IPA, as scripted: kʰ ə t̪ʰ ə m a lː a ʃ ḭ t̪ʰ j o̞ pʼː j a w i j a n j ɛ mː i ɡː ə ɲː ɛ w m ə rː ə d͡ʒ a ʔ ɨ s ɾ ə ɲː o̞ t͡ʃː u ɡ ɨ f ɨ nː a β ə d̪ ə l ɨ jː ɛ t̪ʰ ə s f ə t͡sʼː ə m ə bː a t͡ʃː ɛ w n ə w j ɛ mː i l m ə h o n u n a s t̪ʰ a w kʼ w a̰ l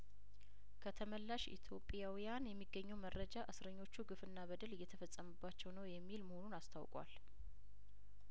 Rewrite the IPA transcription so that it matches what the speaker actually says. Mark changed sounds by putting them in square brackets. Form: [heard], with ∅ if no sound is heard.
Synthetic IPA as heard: kʰ ə t̪ʰ ə m [ə] lː a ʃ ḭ t̪ʰ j o̞ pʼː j a w i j a n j ɛ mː i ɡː ə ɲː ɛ w m ə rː ə d͡ʒ a ʔ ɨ s ɾ ə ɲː o̞ t͡ʃː u ɡ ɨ f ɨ nː a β ə d̪ ə l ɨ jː ɛ t̪ʰ ə [∅] f ə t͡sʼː ə m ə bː a t͡ʃː ɛ w n ə w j ɛ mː i l m ə h o n u n a s t̪ʰ a w kʼ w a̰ l